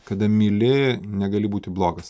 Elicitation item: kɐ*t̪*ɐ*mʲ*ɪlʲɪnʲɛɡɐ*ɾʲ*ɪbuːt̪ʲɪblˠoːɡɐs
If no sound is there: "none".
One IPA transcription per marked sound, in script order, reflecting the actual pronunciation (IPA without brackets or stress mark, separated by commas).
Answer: d̪, mʲ, lʲ